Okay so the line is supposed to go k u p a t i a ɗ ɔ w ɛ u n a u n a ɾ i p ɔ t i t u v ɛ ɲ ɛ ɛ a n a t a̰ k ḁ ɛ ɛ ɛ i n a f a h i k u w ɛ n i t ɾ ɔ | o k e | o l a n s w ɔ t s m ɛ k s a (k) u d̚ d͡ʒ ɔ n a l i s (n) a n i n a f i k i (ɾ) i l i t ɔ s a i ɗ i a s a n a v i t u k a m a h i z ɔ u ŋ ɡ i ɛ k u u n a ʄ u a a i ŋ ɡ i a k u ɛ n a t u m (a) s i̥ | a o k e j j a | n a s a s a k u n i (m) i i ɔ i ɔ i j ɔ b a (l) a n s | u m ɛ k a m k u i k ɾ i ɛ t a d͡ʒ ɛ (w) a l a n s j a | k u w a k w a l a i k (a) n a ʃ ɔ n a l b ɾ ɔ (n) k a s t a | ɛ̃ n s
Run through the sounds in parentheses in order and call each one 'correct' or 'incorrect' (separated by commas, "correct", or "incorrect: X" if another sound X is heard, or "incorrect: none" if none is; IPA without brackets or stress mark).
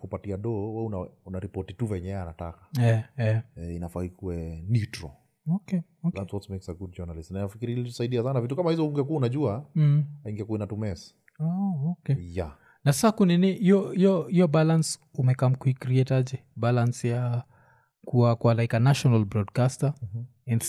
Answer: incorrect: ɡ, correct, correct, incorrect: ɛ, incorrect: n, correct, incorrect: b, correct, incorrect: d